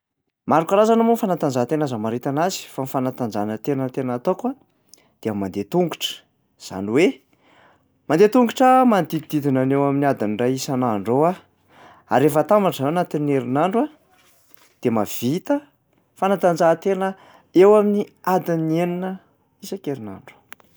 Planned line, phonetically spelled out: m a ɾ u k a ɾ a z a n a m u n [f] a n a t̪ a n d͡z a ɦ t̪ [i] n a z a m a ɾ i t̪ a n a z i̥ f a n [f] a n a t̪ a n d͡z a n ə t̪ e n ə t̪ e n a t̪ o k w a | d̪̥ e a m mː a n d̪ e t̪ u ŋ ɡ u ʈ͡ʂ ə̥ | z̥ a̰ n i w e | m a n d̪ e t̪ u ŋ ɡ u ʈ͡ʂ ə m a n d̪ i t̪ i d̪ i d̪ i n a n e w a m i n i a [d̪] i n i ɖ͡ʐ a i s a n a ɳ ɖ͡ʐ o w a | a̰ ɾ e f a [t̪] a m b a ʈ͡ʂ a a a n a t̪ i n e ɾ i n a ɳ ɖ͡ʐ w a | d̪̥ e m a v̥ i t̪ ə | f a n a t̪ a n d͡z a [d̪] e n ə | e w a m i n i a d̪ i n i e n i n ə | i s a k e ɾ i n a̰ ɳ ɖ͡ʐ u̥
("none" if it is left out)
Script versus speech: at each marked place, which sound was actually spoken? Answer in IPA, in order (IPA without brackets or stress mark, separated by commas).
f, e, f, d̪, t̪, t̪